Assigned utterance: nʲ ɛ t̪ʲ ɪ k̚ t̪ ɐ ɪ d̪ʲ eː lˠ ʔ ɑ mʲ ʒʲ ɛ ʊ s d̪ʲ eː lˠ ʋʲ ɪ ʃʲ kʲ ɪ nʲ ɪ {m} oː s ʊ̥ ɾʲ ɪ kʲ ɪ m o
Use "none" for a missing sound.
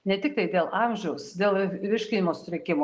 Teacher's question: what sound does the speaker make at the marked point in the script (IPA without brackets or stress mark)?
m